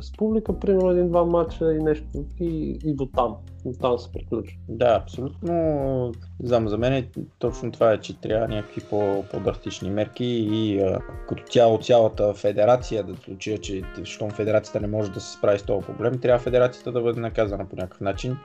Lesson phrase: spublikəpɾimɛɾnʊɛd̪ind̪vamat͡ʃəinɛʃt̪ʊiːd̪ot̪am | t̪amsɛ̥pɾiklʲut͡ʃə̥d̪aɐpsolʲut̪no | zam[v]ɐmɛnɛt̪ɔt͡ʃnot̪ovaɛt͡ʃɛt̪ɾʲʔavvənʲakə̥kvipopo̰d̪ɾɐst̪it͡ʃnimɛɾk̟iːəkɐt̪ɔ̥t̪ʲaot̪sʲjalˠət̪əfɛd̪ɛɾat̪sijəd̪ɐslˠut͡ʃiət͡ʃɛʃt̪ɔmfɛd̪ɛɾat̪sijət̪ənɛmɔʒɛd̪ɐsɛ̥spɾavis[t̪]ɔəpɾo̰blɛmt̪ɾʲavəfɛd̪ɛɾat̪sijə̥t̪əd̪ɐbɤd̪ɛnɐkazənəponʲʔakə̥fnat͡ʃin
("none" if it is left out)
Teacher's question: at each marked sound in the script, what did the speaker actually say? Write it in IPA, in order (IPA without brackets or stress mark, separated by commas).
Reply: z, t̪